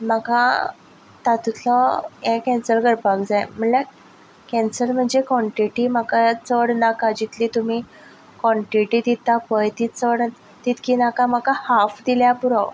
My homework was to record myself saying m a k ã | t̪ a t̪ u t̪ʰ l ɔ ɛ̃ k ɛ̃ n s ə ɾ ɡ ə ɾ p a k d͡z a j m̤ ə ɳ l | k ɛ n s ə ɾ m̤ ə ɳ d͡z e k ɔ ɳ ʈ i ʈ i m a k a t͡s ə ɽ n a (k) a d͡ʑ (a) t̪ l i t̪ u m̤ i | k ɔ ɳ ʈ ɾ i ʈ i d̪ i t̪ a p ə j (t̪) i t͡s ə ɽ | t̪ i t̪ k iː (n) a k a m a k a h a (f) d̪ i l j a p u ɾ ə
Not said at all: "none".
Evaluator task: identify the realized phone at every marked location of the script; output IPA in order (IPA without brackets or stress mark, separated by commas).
k, i, t̪, n, f